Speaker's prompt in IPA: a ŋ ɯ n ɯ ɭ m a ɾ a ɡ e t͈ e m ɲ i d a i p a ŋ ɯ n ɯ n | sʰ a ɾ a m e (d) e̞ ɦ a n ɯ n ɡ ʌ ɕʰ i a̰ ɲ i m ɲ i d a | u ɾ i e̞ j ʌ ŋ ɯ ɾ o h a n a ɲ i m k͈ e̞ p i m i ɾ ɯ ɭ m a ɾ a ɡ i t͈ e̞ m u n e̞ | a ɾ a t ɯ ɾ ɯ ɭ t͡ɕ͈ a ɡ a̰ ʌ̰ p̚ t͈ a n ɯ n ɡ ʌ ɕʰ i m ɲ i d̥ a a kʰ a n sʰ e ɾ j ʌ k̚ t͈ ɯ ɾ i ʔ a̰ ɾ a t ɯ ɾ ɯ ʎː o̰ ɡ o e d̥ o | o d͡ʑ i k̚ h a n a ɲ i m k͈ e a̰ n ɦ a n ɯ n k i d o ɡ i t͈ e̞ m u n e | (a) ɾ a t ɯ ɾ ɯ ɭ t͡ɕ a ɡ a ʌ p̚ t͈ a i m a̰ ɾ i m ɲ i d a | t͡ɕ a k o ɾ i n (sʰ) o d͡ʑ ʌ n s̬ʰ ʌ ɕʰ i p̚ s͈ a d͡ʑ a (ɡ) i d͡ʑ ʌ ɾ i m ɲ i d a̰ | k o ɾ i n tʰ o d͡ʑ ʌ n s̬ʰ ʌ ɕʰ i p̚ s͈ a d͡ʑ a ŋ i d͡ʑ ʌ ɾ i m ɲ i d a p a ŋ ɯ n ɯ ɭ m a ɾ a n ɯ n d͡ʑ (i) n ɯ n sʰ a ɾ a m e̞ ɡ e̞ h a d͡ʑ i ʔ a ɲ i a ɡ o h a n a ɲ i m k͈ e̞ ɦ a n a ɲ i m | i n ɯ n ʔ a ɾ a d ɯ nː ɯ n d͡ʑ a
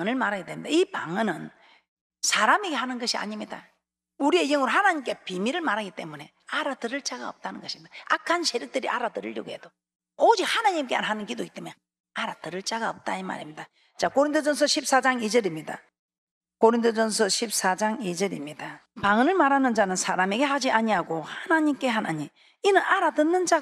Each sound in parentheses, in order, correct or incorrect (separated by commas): incorrect, correct, incorrect, incorrect, incorrect